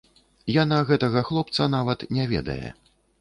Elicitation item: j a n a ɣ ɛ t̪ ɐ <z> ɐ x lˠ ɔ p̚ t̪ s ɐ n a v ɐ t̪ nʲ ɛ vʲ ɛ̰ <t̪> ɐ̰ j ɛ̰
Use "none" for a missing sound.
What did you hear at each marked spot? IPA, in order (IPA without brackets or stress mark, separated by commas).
ɣ, d̪